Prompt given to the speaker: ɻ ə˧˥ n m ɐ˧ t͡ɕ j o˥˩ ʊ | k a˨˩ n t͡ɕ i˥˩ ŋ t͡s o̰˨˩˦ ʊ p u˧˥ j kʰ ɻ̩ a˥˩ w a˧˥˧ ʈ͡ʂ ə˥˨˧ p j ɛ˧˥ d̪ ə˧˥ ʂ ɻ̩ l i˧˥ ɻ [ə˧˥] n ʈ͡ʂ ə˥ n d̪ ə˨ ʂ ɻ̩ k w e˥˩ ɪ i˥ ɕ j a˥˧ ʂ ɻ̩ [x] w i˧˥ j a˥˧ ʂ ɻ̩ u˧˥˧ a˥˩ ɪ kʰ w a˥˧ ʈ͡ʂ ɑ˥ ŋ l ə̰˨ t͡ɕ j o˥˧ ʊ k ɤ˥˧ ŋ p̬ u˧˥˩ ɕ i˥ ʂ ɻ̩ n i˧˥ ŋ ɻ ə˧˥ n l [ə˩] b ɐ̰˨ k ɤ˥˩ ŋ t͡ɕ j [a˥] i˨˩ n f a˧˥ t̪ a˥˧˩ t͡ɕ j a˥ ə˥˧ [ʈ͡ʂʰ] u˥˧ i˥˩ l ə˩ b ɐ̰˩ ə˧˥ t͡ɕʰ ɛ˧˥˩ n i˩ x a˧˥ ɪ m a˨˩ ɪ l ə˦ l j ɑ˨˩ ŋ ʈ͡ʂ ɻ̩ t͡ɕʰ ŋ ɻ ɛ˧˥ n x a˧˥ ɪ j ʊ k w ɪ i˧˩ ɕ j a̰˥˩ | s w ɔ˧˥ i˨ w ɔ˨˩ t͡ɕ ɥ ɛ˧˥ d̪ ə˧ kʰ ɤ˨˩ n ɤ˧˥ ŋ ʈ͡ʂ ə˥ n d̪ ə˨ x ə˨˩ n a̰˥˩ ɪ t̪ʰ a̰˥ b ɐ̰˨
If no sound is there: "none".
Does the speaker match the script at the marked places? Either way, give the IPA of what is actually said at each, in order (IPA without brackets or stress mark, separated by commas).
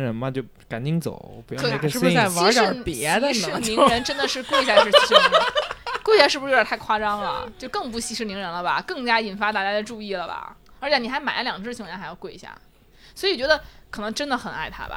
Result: ə˧˥, k, ə˧, a˥, ʈ͡ʂ